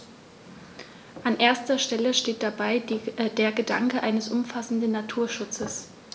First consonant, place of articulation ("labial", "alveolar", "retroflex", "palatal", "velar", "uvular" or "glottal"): glottal